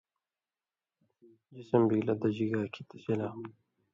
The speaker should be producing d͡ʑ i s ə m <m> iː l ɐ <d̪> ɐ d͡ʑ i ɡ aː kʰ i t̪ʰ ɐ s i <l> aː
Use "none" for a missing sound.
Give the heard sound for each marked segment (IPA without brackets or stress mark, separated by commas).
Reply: b, d̪, l